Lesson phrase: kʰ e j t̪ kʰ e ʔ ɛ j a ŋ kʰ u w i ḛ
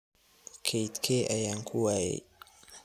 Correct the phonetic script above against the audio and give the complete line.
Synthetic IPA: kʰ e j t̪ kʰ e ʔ a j a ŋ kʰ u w a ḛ